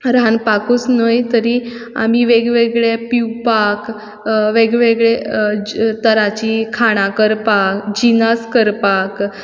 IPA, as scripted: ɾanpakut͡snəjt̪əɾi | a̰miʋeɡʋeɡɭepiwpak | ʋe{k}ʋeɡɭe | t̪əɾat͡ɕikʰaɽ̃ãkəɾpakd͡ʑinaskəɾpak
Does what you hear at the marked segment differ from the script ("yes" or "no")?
yes